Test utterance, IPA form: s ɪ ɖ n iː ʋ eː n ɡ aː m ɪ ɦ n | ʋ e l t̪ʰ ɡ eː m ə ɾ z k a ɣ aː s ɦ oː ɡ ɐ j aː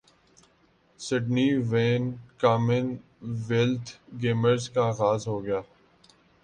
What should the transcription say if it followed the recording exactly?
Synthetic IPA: s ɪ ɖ n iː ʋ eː n k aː m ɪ n | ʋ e l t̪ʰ ɡ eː m ə ɾ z k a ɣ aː z ɦ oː ɡ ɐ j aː